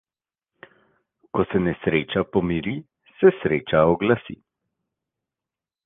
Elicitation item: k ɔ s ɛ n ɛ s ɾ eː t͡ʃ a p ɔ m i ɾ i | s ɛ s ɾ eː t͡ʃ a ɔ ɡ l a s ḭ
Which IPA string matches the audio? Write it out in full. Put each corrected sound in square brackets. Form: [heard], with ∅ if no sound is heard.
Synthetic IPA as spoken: k ɔ s ɛ n ɛ s ɾ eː t͡ʃ a p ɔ m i ɾ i | s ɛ s ɾ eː t͡ʃ a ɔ ɡ l a s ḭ